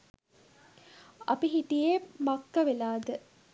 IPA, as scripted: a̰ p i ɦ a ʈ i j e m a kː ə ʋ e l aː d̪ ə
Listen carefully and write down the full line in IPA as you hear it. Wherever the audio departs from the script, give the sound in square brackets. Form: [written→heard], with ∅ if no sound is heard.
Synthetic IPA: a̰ p i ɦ [a→i] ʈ i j e m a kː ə ʋ e l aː d̪ ə